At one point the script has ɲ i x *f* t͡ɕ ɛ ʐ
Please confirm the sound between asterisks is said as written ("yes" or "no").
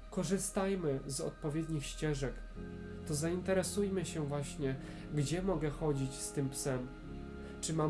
no